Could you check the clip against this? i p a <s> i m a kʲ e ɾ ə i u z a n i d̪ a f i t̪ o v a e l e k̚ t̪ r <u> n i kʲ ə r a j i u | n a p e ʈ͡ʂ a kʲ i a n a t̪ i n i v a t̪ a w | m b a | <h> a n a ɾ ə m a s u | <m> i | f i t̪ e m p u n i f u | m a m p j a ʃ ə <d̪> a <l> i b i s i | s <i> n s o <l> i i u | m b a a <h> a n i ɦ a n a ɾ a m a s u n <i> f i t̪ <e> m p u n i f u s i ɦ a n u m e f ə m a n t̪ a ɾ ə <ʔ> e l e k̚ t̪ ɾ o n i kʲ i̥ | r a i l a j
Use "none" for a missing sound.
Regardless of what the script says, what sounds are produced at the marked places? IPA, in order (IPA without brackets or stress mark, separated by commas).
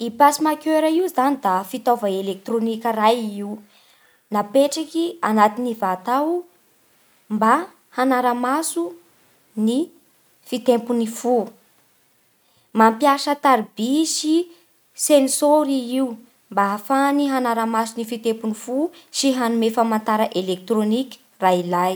s, o, h, n, t̪, ɾ, e, ɾ, f, i, e, ʔ